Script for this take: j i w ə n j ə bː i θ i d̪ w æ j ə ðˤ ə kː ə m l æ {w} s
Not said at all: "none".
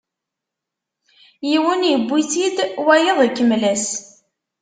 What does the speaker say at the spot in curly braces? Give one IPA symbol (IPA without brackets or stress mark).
none